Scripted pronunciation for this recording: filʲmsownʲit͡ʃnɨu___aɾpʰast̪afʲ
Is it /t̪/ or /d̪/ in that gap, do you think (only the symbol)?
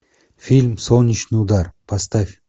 d̪